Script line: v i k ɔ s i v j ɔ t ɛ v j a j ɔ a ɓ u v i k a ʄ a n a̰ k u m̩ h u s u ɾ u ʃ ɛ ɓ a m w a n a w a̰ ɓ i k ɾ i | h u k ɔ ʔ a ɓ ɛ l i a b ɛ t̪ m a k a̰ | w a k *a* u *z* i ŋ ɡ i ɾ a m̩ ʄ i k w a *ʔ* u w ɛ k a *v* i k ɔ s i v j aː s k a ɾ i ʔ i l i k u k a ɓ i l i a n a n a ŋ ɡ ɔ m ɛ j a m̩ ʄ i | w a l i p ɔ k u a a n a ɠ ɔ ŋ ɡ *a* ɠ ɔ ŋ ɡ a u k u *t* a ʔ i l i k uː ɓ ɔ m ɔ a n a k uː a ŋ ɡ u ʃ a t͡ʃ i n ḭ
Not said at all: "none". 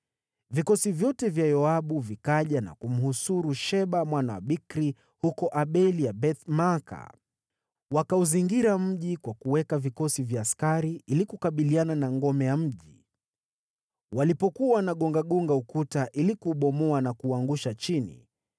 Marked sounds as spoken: a, z, k, v, a, t

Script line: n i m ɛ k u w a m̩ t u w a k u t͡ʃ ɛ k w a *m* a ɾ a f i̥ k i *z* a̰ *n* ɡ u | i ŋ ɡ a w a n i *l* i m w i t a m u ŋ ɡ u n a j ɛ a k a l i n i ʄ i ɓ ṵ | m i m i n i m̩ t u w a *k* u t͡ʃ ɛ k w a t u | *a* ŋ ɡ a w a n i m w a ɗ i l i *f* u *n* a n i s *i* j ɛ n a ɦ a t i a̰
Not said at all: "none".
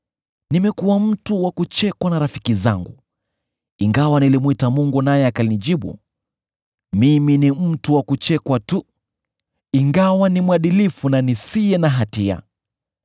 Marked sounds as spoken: n, z, ŋ, l, k, i, f, n, i

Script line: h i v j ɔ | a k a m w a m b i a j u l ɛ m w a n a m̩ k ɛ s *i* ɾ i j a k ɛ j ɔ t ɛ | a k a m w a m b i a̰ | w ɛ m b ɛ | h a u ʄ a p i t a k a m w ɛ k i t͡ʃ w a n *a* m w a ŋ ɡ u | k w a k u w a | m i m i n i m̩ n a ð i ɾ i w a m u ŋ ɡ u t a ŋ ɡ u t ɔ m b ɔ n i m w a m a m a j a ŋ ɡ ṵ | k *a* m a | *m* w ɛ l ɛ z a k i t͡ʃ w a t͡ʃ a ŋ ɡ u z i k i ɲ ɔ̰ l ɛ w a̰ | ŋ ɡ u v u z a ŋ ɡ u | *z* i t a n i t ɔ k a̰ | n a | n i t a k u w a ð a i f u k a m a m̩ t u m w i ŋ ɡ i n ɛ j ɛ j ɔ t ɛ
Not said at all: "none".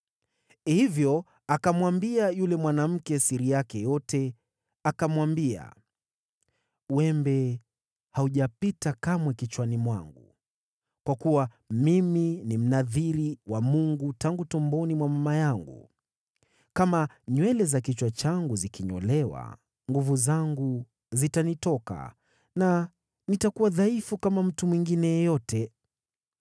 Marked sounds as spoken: i, i, a, ɲ, z

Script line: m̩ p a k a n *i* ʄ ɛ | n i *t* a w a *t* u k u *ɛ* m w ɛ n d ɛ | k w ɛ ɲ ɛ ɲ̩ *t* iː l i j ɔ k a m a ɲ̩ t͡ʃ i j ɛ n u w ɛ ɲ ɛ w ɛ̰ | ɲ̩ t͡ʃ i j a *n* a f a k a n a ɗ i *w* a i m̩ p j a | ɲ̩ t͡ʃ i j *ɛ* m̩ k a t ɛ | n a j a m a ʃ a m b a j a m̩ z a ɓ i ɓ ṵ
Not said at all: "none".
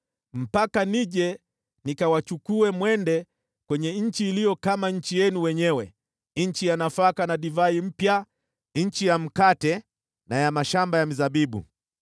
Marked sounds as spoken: i, k, t͡ʃ, ɛ, t͡ʃ, n, v, a

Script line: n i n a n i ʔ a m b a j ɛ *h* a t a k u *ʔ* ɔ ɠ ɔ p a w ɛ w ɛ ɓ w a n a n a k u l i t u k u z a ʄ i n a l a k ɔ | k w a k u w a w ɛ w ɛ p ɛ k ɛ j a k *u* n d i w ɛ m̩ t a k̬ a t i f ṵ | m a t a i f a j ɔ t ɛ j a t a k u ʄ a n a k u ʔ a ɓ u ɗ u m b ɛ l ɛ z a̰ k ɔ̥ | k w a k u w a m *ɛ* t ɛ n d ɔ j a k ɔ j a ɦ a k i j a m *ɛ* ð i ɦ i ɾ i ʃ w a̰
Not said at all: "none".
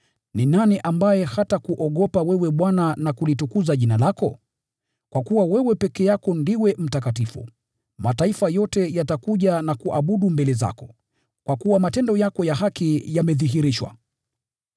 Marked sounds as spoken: h, ʔ, ɔ, a, ɛ

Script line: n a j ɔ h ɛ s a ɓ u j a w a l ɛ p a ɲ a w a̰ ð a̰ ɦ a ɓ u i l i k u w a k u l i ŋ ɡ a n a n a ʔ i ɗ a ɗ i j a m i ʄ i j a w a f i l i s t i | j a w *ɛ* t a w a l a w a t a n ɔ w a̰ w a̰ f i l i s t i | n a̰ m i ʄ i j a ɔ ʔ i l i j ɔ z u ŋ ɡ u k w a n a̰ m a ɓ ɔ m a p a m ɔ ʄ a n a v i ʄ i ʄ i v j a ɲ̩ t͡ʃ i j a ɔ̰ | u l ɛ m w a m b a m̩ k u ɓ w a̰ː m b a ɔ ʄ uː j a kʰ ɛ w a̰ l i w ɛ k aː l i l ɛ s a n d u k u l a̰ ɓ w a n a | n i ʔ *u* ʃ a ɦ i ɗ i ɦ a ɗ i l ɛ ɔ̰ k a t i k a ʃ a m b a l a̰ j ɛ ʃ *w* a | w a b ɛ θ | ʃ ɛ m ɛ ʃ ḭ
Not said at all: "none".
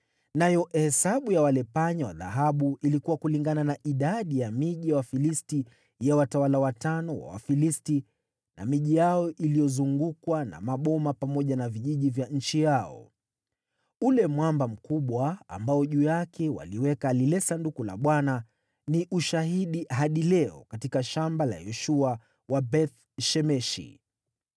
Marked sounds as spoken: a, u, u

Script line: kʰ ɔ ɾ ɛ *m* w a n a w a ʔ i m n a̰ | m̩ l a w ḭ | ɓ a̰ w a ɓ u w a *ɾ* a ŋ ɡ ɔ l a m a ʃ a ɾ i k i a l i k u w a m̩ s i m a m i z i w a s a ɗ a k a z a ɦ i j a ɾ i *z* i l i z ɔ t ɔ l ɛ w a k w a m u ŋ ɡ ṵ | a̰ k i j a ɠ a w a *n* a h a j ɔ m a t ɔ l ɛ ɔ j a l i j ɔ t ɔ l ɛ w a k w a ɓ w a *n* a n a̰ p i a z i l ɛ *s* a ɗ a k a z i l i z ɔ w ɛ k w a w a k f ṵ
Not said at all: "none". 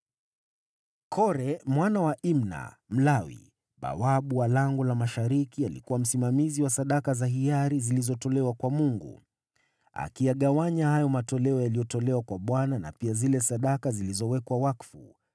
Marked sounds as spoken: m, l, z, ɲ, n, s

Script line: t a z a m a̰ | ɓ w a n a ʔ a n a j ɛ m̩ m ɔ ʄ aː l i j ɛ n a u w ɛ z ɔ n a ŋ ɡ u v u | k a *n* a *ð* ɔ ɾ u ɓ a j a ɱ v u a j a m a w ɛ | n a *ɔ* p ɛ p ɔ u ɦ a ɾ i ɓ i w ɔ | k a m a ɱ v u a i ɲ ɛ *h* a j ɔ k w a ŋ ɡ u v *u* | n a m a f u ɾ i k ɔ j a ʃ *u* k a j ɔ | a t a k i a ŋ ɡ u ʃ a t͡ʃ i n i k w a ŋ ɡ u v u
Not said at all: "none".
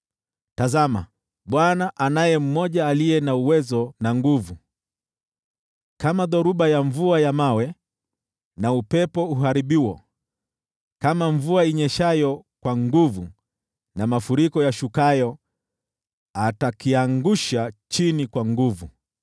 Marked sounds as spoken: m, ð, u, ʃ, u, u

